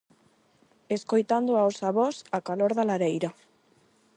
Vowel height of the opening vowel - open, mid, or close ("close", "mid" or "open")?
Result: mid